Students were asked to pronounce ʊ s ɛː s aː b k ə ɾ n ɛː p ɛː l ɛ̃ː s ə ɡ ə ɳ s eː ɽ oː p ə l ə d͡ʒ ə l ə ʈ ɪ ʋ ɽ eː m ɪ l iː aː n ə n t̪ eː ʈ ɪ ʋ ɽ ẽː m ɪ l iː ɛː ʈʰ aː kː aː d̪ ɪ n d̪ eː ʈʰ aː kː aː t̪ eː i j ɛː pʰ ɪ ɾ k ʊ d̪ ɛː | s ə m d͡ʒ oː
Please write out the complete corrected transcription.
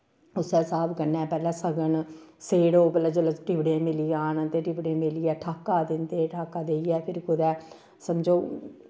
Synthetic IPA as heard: ʊ s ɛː s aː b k ə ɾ n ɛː p ɛː l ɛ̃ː s ə ɡ ə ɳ s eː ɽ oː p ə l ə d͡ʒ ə l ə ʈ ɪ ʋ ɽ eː m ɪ l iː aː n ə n t̪ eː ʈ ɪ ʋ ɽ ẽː m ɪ l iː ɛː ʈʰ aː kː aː d̪ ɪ n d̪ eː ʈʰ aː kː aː d̪ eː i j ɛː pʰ ɪ ɾ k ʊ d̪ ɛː | s ə m d͡ʒ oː